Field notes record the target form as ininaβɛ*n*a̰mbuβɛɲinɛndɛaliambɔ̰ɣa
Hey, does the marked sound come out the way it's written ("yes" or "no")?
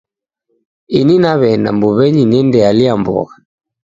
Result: yes